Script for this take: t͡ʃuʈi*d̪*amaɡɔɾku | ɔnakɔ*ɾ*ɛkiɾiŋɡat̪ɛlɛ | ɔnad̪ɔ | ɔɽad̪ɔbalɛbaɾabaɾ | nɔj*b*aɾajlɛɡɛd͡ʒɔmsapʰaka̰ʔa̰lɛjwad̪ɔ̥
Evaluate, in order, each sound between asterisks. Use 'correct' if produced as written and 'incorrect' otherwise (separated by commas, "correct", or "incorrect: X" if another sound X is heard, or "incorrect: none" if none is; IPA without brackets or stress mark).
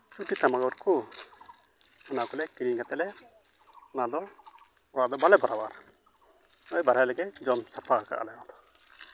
incorrect: t̪, incorrect: l, correct